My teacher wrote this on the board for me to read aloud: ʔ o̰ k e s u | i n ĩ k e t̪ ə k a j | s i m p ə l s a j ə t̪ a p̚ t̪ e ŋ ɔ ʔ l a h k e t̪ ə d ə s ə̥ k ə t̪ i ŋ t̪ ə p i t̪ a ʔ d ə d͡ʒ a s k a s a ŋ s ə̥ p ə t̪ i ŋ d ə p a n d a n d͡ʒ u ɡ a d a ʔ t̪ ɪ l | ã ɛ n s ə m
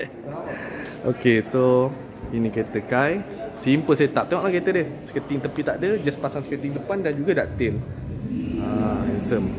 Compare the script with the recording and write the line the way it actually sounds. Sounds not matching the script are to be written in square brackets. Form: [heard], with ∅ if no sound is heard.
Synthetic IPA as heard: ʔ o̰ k e s [o] | i n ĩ k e t̪ ə k a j | s i m p ə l s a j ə t̪ a p̚ t̪ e ŋ ɔ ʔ l a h k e t̪ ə d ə s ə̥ k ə t̪ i ŋ t̪ ə p i t̪ a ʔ d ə d͡ʒ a s [p] a s a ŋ s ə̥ [k] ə t̪ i ŋ d ə p a n d a n d͡ʒ u ɡ a d a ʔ t̪ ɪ l | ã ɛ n s ə m

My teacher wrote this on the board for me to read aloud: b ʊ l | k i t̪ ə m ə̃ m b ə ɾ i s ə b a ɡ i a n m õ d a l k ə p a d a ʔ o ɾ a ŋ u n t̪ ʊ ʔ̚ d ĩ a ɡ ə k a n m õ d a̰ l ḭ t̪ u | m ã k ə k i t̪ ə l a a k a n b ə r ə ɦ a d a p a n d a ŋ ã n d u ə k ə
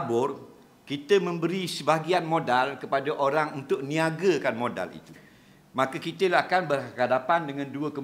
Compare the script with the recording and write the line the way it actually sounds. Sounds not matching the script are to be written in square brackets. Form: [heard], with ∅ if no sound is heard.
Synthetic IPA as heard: b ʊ [r] | k i t̪ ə m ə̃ m b ə ɾ i s ə b a ɡ i a n m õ d a l k ə p a d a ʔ o ɾ a ŋ u n t̪ ʊ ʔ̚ [n] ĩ a ɡ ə k a n m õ d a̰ l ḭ t̪ u | m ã k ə k i t̪ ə l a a k a n b ə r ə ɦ a d a p a n d [ə] ŋ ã n d u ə k ə

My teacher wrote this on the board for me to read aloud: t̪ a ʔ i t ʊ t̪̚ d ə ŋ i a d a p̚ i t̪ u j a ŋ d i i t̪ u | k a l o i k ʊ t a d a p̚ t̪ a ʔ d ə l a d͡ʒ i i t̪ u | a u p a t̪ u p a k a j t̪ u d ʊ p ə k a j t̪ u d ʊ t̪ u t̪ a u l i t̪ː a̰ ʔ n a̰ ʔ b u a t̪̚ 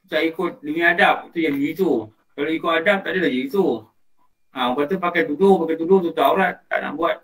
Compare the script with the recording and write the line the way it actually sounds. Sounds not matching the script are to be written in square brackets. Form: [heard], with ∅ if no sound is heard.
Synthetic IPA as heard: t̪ a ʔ i [k] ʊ t̪̚ d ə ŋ i a d a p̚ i t̪ u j a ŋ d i i t̪ u | k a l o i k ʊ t a d a p̚ t̪ a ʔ d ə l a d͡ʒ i i t̪ u | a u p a t̪ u p a k a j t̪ u d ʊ p [a] k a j t̪ u d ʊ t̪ u t̪ a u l [a] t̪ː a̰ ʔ n a̰ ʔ b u a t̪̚

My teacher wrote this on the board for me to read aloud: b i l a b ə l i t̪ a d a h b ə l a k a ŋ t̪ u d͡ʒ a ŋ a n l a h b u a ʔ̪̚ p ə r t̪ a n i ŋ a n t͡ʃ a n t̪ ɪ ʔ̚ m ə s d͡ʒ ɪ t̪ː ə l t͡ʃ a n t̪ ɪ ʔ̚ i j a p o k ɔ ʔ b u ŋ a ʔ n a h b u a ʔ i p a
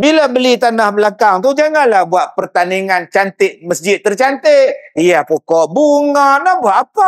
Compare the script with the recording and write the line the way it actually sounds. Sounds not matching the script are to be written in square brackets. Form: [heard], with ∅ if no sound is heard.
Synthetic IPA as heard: b i l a b ə l i t̪ a [n] a h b ə l a k a ŋ t̪ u d͡ʒ a ŋ a n l a h b u a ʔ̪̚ p ə r t̪ a n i ŋ a n t͡ʃ a n t̪ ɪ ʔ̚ m ə s d͡ʒ ɪ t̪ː ə [r] t͡ʃ a n t̪ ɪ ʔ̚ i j a p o k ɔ ʔ b u ŋ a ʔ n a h b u a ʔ [a] p a

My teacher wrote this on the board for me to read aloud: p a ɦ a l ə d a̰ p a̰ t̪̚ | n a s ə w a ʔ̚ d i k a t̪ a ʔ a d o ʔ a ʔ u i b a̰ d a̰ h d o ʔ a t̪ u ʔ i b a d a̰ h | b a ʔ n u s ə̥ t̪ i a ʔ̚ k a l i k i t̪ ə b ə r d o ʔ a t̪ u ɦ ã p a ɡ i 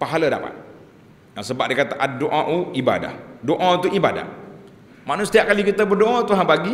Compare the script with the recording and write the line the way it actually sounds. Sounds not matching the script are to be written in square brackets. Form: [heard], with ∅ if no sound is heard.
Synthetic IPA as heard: p a ɦ a l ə d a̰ p a̰ t̪̚ | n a s ə [b] a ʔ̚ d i k a t̪ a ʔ a d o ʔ a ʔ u i b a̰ d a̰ h d o ʔ a t̪ u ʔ i b a d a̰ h | [m] a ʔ n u s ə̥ t̪ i a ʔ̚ k a l i k i t̪ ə b ə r d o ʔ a t̪ u ɦ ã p a ɡ i

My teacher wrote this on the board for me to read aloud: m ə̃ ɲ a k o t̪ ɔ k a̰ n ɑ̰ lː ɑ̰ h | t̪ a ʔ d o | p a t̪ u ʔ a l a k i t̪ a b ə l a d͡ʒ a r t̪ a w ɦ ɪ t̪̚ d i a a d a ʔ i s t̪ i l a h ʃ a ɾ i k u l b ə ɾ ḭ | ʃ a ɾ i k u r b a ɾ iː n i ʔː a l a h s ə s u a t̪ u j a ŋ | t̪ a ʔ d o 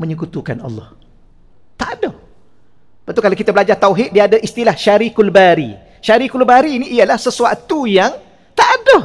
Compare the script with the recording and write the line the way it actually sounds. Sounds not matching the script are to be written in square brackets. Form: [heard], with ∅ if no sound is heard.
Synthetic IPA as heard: m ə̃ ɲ [ə] k [u] t̪ [u] k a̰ n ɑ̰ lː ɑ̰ h | t̪ a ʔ d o | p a t̪ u [k] a l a k i t̪ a b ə l a d͡ʒ a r t̪ a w ɦ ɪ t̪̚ d i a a d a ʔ i s t̪ i l a h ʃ a ɾ i k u l b [a] ɾ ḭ | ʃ a ɾ i k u [l] b a ɾ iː n i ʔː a l a h s ə s u a t̪ u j a ŋ | t̪ a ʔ d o

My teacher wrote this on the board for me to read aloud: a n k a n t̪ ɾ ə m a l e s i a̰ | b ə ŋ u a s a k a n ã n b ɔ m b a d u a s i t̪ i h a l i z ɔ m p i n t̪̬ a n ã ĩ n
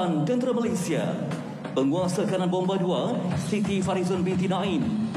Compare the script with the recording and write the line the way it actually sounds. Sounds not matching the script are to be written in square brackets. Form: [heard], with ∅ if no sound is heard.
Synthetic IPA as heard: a n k [ə] n t̪ ɾ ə m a l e s i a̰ | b ə ŋ u a s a k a n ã n b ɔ m b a d u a s i t̪ i [f] a [ɾ] i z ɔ [n] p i n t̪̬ [i] n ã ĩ n

